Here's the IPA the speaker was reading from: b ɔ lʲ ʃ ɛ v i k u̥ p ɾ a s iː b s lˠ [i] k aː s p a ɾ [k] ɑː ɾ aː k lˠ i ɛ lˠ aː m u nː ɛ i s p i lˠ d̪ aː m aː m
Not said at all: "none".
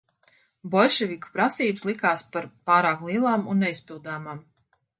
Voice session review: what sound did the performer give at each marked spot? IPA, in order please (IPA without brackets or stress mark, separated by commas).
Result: i, p